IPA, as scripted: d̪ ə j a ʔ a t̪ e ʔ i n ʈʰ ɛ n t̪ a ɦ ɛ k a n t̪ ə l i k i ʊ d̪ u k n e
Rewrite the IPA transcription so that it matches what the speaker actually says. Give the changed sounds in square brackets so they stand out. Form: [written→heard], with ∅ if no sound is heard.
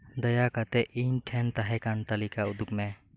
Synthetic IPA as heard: d̪ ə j a [ʔ→k] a t̪ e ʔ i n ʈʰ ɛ n t̪ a ɦ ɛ k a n t̪ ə l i k [i→a] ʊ d̪ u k [n→m] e

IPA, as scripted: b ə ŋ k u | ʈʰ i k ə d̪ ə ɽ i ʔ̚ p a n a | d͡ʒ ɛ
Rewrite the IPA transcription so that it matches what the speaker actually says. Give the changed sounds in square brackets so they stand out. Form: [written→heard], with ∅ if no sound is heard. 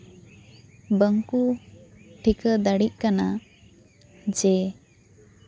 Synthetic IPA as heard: b ə ŋ k u | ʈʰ i k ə d̪ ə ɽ i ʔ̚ [p→k] a n a | d͡ʒ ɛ

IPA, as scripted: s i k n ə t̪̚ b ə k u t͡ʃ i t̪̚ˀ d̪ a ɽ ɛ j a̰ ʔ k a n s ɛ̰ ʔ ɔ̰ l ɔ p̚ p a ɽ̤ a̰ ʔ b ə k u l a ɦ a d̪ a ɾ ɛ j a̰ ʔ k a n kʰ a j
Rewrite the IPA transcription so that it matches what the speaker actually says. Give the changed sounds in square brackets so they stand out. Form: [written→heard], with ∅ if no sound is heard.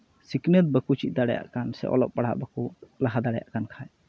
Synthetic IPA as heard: s i k n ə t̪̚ b ə k u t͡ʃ i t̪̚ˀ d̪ a ɽ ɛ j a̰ ʔ k a n s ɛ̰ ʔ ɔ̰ l ɔ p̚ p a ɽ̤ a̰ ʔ b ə k u l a ɦ a d̪ a [ɾ→ɽ] ɛ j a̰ ʔ k a n kʰ a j

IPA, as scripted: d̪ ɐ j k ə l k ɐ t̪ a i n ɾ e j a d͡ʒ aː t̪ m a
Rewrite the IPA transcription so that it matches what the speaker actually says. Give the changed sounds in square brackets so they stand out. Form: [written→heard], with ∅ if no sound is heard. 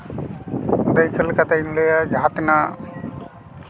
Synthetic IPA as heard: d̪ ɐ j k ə l k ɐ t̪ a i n [ɾ→l] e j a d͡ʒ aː t̪ [m→n] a

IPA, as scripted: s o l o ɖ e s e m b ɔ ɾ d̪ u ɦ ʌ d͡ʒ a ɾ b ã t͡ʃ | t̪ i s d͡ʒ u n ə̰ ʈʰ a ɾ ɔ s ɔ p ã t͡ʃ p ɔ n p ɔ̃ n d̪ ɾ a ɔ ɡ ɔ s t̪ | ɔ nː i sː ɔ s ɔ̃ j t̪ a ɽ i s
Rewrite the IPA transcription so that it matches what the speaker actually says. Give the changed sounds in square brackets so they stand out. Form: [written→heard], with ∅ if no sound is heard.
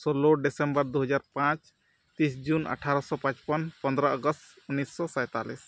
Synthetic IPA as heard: s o l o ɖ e s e m b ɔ ɾ d̪ u ɦ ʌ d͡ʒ a ɾ [b→p] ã t͡ʃ | t̪ i s d͡ʒ u n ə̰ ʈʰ a ɾ ɔ s ɔ p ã t͡ʃ p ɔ n p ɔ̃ n d̪ ɾ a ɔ ɡ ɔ s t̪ | [ɔ→u] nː i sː ɔ s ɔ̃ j t̪ a [ɽ→l] i s

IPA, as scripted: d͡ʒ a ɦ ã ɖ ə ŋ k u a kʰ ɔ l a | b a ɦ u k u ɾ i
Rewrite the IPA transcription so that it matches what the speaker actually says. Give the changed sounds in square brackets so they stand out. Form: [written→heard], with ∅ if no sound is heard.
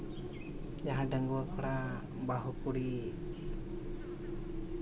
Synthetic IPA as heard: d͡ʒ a ɦ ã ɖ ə ŋ [k→ɡ] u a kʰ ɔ [l→ɽ] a | b a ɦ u k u [ɾ→ɽ] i

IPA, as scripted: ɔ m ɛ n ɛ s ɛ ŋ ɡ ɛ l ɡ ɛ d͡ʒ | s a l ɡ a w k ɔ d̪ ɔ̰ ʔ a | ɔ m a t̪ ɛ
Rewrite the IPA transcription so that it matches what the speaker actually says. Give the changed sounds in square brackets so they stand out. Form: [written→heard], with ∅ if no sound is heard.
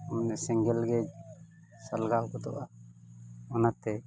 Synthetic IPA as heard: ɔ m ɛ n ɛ s ɛ ŋ ɡ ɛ l ɡ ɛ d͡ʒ | s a l ɡ a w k ɔ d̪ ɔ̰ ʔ a | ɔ [m→n] a t̪ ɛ

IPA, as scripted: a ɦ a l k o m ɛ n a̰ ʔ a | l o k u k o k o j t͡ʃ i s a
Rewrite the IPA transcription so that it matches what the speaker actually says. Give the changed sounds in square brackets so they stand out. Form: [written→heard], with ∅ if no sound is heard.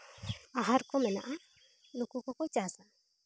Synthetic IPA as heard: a ɦ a [l→ɾ] k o m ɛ n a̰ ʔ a | l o k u k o k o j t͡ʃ [i→a] s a

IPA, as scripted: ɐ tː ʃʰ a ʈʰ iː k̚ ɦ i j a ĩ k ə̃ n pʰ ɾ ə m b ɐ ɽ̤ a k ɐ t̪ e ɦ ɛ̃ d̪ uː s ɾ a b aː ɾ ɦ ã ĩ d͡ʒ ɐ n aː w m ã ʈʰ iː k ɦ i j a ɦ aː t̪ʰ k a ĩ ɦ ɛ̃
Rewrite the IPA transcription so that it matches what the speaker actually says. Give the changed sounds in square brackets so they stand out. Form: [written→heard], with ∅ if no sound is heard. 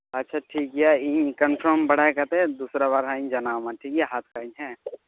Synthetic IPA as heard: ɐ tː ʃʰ a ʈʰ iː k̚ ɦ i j a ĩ k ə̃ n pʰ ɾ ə m b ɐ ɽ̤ a k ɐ t̪ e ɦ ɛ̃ d̪ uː s ɾ a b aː ɾ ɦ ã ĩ d͡ʒ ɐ n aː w m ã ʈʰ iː k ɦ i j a ɦ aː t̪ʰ k a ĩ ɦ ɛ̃

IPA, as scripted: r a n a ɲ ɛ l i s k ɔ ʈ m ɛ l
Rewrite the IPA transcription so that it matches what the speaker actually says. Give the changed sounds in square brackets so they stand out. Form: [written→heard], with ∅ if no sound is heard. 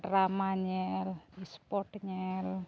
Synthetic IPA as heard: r a [n→m] a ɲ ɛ l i s [k→p] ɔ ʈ [m→ɲ] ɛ l

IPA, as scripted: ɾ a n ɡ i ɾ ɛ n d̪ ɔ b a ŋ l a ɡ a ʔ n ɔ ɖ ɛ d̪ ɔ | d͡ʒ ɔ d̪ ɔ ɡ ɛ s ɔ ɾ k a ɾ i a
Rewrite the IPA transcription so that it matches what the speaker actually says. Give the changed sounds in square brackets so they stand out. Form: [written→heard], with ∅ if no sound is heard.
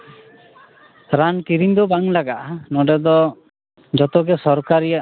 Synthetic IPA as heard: ɾ a n [ɡ→k] i ɾ [ɛ→i] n d̪ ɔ b a ŋ l a ɡ a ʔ n ɔ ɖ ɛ d̪ ɔ | d͡ʒ ɔ [d̪→t̪] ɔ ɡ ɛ s ɔ ɾ k a ɾ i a

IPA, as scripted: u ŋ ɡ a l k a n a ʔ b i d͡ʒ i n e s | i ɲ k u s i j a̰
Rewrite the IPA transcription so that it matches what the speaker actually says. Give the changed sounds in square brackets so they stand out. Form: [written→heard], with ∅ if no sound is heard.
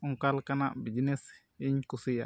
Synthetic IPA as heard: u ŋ [ɡ→k] a l k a n a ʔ b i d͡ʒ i n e s | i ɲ k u s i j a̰

